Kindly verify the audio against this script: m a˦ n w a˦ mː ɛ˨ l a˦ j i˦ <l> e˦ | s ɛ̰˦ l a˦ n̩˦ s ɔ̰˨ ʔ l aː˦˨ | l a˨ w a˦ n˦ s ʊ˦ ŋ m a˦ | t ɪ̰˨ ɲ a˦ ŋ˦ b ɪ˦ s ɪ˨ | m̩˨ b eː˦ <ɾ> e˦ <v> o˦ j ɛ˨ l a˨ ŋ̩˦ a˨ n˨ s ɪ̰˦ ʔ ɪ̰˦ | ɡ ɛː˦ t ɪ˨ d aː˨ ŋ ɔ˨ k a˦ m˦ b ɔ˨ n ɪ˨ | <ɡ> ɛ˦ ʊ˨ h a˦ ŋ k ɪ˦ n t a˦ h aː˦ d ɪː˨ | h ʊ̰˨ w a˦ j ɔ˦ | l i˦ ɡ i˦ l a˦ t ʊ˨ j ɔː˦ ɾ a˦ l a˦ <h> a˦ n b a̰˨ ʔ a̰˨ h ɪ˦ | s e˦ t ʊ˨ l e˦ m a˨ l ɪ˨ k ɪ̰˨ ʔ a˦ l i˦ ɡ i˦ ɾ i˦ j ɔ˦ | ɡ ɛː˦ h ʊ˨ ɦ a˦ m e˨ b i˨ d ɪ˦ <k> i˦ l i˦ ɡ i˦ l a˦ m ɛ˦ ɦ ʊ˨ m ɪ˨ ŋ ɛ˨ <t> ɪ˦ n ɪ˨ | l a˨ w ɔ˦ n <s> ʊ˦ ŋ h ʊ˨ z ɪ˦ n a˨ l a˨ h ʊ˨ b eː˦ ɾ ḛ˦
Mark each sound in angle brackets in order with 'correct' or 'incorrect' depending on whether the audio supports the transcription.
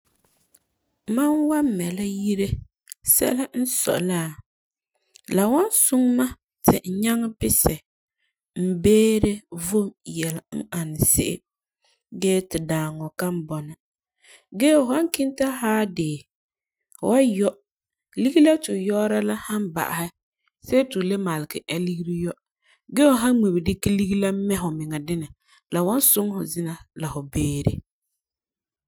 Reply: incorrect, correct, correct, correct, correct, correct, incorrect, correct

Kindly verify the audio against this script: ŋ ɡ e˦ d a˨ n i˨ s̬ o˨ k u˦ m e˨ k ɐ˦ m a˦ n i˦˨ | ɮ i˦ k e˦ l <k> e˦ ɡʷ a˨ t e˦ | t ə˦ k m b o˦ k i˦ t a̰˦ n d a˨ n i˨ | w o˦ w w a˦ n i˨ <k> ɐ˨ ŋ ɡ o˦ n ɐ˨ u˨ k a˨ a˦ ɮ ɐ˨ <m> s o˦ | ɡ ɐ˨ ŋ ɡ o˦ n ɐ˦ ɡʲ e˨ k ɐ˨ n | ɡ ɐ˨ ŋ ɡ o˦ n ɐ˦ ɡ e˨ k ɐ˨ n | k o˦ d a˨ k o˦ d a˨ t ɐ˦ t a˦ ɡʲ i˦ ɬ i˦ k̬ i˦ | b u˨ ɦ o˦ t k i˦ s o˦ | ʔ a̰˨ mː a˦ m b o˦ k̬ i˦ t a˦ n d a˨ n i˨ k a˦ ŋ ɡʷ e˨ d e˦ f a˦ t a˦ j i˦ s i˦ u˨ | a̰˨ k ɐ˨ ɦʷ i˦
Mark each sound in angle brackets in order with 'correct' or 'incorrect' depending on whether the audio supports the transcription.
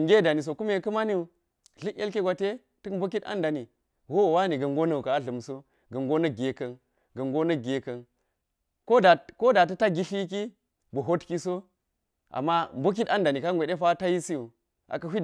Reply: correct, incorrect, correct

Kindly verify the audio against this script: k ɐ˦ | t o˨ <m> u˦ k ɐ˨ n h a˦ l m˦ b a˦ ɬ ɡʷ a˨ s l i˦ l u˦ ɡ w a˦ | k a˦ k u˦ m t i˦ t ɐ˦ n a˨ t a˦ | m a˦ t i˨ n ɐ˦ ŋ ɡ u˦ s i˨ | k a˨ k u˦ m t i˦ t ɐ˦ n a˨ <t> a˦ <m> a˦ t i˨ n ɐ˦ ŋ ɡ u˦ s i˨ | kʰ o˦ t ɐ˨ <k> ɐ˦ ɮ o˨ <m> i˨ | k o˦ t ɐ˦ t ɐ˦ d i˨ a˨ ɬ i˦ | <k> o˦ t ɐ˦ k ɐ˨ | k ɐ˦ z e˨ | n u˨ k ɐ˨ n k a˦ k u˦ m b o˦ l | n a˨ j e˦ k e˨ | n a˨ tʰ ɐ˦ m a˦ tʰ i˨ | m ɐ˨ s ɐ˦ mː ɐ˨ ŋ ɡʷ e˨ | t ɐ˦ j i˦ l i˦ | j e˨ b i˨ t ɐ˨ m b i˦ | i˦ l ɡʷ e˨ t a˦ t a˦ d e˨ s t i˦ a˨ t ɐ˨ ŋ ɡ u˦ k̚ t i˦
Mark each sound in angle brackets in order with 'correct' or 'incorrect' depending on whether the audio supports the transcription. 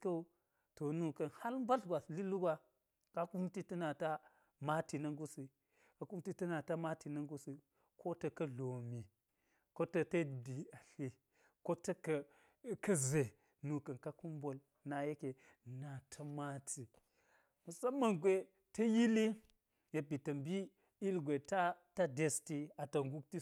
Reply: incorrect, correct, correct, correct, correct, correct

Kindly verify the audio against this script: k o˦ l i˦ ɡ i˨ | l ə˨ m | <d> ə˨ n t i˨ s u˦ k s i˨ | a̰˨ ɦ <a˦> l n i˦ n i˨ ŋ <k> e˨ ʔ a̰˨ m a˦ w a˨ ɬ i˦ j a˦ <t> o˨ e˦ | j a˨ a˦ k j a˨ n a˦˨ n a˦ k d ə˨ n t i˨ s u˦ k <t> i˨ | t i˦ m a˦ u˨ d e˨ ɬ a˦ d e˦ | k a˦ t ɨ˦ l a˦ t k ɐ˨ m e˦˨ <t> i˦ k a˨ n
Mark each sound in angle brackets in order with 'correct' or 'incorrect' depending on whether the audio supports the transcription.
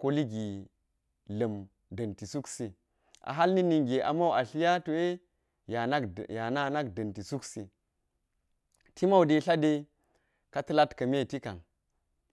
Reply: correct, correct, incorrect, correct, incorrect, correct

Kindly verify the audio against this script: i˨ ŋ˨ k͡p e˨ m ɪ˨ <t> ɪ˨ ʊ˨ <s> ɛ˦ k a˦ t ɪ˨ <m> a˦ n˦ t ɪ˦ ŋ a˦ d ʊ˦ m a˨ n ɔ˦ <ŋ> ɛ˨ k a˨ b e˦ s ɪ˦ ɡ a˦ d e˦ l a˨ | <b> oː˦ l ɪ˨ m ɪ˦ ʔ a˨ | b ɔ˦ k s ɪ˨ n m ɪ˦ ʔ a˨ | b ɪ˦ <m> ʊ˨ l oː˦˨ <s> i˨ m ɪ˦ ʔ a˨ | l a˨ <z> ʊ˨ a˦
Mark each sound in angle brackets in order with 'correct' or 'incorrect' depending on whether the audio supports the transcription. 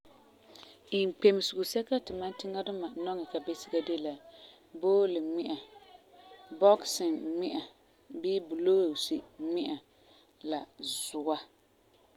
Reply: incorrect, correct, correct, correct, correct, incorrect, correct, correct

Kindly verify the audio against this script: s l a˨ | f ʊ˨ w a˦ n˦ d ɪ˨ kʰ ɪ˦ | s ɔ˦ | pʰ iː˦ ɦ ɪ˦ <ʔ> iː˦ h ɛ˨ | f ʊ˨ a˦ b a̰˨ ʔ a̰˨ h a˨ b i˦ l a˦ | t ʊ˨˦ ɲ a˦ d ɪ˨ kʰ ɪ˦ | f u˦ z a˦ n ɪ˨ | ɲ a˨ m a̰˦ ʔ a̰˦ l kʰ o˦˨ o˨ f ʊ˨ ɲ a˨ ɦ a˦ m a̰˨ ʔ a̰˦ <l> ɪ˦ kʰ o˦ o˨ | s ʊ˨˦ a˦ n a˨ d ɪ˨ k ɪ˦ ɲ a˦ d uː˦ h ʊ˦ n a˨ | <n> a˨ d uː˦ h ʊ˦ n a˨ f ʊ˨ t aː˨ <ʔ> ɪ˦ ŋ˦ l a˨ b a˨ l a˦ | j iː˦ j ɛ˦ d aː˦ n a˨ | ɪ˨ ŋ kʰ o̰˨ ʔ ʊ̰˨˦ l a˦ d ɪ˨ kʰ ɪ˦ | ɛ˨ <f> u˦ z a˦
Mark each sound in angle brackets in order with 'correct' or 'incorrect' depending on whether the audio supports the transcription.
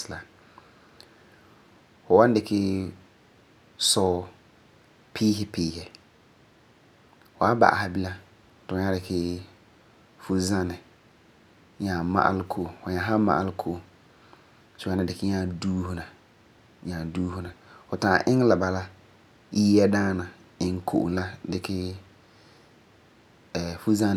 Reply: incorrect, correct, incorrect, correct, correct

